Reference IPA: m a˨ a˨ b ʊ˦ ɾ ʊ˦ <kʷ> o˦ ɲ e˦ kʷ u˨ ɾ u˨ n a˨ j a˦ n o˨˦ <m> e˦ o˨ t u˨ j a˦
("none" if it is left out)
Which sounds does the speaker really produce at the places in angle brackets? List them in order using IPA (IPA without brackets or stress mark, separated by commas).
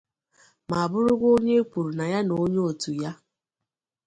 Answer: ɡʷ, ɲ